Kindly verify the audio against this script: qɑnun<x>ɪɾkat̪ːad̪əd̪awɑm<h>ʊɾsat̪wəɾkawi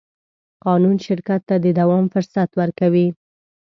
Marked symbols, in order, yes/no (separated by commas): no, no